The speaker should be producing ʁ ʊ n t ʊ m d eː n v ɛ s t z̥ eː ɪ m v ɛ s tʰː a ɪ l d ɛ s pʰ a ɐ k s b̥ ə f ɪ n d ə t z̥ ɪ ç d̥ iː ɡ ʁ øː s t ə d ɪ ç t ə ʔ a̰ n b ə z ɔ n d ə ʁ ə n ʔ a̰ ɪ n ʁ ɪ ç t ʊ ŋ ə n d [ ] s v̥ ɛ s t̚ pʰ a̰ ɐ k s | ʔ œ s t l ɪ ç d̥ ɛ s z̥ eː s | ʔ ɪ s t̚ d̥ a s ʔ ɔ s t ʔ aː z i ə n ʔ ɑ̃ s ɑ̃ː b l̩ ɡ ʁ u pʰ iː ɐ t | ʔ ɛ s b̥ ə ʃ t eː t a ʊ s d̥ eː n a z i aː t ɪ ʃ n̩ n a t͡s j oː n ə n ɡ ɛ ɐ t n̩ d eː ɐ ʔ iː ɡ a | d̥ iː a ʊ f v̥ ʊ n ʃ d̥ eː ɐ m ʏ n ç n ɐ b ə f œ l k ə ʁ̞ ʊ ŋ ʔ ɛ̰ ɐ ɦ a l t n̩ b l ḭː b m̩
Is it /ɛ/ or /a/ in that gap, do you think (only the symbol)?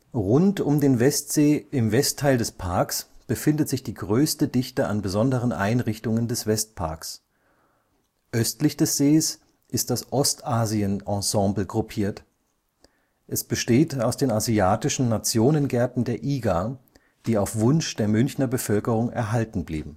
ɛ